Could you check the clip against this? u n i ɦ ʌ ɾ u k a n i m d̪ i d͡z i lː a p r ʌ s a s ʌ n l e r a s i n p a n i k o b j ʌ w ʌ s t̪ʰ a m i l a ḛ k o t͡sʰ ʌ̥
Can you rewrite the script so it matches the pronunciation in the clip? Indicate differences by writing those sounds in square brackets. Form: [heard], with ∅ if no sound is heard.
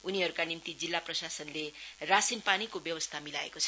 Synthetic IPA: u n i ɦ ʌ ɾ u k a n i m [t̪] i d͡z i lː a p r ʌ s a s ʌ n l e r a s i n p a n i k o b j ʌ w ʌ s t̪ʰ a m i l a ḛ k o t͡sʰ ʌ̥